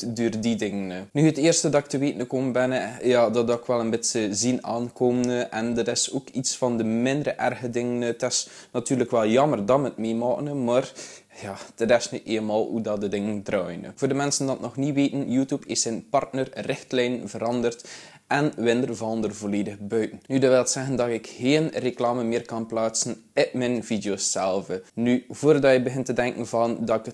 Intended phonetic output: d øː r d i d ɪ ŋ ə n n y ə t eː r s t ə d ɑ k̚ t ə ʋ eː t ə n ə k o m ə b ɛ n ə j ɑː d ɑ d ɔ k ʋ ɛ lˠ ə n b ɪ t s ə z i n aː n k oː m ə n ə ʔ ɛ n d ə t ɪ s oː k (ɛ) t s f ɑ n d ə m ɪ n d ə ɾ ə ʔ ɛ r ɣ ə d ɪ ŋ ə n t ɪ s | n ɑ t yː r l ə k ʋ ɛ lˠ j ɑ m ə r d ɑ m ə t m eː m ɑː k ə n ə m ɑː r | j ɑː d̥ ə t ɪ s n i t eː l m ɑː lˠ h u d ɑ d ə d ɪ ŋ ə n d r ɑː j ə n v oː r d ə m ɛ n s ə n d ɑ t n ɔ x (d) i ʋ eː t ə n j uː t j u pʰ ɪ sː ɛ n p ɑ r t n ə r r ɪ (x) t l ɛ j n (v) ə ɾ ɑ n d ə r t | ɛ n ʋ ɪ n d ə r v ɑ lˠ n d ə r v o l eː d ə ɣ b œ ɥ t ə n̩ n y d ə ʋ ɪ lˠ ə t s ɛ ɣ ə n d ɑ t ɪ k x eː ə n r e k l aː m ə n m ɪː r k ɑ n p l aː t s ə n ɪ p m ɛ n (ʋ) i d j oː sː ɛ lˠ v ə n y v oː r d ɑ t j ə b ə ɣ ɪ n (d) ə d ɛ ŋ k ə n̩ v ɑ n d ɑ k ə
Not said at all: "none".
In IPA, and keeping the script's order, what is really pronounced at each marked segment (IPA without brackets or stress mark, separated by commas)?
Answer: i, n, x, v, v, t